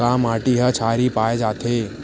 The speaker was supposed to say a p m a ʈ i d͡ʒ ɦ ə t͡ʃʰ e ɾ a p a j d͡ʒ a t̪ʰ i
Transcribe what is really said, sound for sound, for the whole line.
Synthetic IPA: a m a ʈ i ɦ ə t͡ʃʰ a ɾ i p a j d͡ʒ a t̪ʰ e